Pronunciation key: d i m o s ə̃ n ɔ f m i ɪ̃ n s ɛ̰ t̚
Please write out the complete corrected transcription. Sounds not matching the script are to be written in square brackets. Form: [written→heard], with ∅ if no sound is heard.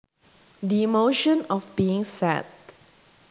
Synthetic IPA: d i m o [s→ʃ] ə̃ n ɔ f [m→b] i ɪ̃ [n→ŋ] s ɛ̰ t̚